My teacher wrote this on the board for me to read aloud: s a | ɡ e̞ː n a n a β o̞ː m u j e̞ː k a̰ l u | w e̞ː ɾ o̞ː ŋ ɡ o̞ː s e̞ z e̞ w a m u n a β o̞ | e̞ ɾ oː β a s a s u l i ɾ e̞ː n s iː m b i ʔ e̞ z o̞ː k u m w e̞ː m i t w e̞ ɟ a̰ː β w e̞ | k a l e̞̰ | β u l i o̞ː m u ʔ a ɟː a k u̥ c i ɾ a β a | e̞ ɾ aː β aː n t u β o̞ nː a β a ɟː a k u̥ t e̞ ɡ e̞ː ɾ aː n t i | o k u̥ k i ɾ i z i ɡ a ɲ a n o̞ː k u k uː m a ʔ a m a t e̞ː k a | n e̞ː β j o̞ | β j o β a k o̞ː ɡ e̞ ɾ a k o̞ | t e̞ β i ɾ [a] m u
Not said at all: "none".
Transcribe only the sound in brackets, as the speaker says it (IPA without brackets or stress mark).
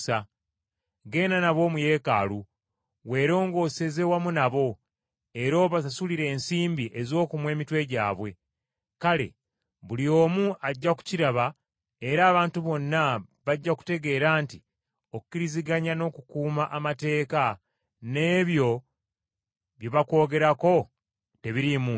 i